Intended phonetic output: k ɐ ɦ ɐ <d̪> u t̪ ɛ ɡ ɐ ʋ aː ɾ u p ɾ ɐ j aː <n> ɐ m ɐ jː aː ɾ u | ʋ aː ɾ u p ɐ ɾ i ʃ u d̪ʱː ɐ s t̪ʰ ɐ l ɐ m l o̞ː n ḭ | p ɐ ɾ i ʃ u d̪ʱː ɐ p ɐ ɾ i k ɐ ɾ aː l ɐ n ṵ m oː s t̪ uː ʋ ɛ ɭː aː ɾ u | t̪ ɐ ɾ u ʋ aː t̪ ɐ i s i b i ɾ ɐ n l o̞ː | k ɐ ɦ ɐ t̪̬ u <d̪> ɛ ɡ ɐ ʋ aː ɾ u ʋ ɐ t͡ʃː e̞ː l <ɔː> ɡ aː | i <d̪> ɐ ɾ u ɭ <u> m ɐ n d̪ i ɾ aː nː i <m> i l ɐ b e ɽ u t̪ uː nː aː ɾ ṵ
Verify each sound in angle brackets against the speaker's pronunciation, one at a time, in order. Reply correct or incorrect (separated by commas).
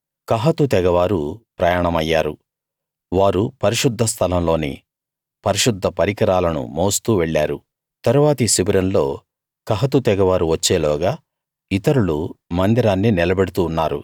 incorrect, incorrect, incorrect, correct, incorrect, correct, incorrect